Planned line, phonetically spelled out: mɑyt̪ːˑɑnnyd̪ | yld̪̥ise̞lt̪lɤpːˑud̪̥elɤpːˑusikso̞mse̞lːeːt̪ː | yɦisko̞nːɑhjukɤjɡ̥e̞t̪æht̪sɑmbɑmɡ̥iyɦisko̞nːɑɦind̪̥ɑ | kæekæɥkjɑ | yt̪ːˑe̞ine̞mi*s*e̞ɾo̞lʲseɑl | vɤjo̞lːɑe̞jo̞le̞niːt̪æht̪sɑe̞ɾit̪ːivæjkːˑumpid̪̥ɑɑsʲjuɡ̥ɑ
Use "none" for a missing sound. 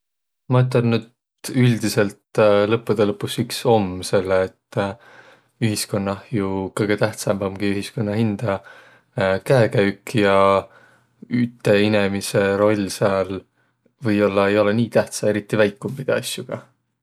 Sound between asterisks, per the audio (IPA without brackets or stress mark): s